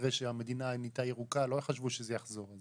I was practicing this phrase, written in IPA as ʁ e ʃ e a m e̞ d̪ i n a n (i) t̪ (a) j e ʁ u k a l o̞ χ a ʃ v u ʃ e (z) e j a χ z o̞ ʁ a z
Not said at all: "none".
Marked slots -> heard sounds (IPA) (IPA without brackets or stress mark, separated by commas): i, a, z